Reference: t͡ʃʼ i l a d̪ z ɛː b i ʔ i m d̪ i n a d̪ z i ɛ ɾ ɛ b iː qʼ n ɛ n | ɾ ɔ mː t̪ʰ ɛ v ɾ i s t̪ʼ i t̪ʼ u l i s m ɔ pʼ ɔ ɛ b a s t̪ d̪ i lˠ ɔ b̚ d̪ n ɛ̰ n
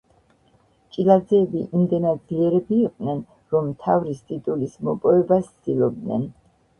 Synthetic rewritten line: t͡ʃʼ i l a d̪ z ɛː b i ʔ i m d̪ ɛ n a d̪ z i ɛ ɾ ɛ b iː qʼ n ɛ n | ɾ ɔ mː t̪ʰ a v ɾ i s t̪ʼ i t̪ʼ u l i s m ɔ pʼ ɔ ɛ b a s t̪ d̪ i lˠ ɔ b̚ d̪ n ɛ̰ n